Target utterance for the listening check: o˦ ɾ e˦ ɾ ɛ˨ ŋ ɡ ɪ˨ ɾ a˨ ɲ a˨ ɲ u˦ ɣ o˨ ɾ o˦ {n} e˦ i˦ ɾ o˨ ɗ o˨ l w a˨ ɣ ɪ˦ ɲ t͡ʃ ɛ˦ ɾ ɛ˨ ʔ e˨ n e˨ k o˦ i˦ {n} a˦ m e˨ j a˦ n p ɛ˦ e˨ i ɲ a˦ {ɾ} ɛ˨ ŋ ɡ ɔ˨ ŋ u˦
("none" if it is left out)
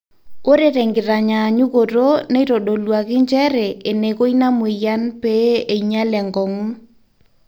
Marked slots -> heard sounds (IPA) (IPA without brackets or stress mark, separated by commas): n, n, l